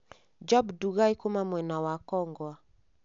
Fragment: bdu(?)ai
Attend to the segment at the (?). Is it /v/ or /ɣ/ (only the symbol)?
ɣ